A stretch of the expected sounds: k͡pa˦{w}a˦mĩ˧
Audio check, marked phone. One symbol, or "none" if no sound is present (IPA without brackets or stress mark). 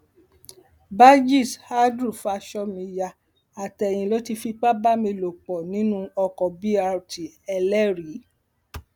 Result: b